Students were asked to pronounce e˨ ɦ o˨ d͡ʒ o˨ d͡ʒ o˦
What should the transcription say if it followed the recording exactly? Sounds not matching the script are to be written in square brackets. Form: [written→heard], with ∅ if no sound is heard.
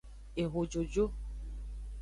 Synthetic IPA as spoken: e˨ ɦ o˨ d͡ʒ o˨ d͡ʒ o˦